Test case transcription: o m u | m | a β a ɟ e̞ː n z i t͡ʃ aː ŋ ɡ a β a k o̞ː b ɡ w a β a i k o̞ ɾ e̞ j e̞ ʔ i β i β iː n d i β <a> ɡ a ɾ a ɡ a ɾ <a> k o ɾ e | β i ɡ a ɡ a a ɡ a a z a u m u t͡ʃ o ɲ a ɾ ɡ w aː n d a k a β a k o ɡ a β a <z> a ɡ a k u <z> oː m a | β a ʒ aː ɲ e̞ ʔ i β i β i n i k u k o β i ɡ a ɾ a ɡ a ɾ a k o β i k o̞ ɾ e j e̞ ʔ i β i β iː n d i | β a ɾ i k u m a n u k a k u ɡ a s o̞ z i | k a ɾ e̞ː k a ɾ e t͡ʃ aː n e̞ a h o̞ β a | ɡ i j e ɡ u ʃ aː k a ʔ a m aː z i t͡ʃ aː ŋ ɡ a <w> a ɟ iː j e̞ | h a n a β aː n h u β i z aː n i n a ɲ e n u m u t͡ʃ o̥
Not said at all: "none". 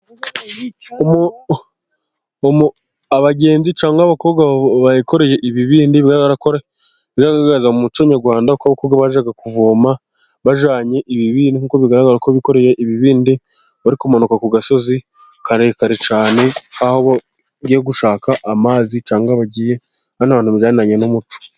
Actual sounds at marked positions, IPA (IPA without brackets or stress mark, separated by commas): i, a, ʒ, v, β